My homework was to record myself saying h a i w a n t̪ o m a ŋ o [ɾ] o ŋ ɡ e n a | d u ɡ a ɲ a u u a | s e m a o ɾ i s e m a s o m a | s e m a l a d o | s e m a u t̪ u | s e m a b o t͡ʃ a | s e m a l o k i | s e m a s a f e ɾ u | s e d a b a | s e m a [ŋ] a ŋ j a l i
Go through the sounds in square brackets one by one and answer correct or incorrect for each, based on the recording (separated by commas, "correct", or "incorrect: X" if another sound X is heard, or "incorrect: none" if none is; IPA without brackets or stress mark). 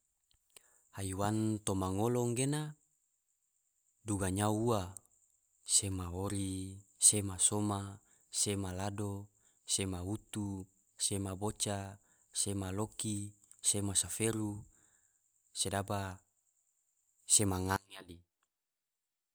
incorrect: l, correct